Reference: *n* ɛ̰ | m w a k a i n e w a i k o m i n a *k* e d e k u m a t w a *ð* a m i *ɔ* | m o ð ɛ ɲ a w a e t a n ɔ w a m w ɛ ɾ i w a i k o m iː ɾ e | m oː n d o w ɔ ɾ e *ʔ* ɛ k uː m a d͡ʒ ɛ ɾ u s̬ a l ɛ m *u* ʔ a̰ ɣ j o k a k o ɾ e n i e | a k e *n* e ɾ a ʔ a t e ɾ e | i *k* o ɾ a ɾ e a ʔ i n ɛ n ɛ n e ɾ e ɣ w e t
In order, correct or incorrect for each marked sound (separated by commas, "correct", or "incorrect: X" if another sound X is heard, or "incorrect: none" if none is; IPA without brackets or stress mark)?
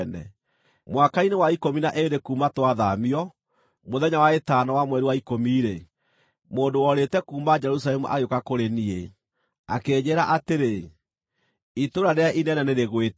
correct, incorrect: ʔ, correct, correct, incorrect: t, correct, incorrect: ɲ, incorrect: t